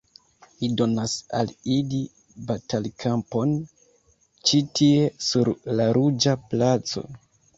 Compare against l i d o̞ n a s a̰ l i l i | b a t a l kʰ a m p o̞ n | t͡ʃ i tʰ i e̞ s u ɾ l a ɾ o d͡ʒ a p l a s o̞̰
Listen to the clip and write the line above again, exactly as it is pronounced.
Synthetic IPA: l i d o̞ n a s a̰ l i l i | b a t a l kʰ a m p o̞ n | t͡ʃ i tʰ i e̞ s u ɾ l a ɾ u d͡ʒ a p l a t͡s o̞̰